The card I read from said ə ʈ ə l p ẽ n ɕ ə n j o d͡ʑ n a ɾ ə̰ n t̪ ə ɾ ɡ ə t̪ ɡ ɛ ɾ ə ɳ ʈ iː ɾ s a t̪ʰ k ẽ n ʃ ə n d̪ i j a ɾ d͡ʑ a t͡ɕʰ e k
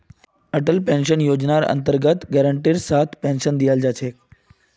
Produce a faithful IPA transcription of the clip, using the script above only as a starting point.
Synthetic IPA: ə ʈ ə l p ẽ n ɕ ə n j o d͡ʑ n a ɾ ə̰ n t̪ ə ɾ ɡ ə t̪ ɡ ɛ ɾ ə ɳ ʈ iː ɾ s a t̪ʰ p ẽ n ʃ ə n d̪ i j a l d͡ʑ a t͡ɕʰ e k